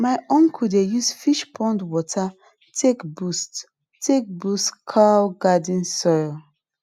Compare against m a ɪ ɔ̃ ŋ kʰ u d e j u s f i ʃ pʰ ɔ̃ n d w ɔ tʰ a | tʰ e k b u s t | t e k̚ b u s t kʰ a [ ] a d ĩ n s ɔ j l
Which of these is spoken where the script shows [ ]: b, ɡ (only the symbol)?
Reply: ɡ